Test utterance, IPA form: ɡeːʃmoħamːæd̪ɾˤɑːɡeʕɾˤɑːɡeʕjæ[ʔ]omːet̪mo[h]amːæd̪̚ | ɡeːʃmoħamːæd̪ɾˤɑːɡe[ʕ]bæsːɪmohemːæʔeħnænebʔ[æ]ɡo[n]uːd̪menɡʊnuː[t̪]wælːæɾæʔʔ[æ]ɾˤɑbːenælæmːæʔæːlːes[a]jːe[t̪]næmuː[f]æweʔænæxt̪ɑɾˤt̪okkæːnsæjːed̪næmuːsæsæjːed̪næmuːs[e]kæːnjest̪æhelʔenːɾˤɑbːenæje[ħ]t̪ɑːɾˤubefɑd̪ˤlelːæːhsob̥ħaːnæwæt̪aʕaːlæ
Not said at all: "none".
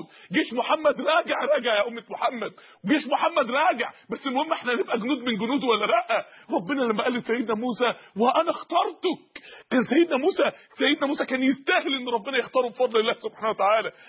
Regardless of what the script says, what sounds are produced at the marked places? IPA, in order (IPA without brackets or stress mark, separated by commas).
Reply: ʔ, ħ, ʕ, æ, n, d̪, æ, æ, d̪, s, æ, x